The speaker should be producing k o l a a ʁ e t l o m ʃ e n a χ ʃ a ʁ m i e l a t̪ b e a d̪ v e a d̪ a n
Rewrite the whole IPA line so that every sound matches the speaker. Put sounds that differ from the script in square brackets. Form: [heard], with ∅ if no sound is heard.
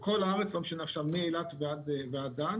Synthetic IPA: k o l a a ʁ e [t͡s] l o m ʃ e n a χ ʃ a [v] m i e l a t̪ [v] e a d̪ v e a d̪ a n